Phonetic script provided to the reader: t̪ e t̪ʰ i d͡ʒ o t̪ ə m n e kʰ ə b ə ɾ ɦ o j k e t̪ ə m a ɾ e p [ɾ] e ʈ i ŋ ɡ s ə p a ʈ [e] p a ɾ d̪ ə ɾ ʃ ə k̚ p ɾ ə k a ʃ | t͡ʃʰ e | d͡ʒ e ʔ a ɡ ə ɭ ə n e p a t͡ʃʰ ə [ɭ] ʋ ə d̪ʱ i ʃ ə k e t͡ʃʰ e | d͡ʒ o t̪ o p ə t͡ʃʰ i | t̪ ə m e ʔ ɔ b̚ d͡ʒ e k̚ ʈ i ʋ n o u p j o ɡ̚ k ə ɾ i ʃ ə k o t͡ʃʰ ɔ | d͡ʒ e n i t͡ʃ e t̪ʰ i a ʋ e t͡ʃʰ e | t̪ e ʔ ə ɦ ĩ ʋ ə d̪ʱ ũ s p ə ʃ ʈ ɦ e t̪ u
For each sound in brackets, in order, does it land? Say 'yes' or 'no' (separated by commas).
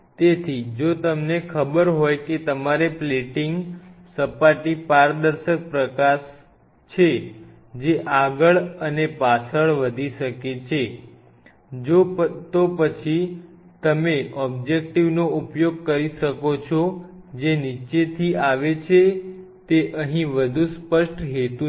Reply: no, no, yes